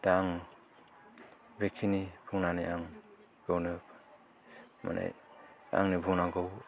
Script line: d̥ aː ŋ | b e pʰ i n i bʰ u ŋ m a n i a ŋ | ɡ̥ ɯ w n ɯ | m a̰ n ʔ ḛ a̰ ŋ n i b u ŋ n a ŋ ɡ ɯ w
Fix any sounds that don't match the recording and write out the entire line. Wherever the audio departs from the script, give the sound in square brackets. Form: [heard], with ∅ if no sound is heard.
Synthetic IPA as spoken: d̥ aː ŋ | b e [kʰ] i n i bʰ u ŋ [n] a n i a ŋ | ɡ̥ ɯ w n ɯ | m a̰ n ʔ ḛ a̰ ŋ n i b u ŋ n a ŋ ɡ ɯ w